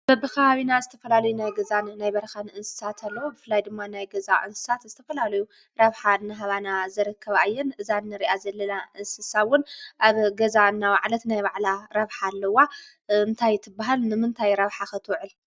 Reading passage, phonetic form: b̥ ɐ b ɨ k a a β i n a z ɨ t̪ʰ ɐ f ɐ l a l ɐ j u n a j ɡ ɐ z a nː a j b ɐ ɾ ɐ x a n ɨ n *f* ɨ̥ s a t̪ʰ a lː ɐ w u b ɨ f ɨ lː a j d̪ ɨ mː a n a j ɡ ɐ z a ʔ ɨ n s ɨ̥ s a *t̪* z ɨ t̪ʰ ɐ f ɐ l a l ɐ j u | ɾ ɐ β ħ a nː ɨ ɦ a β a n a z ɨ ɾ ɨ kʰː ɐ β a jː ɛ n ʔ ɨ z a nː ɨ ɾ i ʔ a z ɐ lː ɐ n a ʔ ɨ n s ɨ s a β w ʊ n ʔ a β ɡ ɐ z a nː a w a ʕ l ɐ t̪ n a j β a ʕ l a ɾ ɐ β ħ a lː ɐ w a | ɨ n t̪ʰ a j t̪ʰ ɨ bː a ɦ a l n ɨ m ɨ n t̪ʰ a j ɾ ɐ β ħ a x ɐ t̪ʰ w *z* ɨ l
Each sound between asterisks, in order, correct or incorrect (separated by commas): incorrect, correct, incorrect